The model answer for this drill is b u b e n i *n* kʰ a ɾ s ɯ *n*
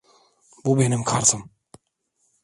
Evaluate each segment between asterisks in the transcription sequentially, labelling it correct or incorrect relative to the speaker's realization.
incorrect, incorrect

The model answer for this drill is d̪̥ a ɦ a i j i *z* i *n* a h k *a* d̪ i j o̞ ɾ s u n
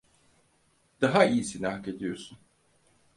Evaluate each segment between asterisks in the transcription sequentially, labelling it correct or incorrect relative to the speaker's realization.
incorrect, correct, incorrect

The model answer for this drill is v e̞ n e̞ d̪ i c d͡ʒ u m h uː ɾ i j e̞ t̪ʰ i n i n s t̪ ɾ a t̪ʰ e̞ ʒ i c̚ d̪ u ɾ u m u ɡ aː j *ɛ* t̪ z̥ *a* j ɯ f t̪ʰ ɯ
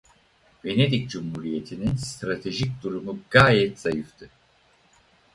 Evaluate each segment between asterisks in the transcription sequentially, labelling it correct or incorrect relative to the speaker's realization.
correct, correct

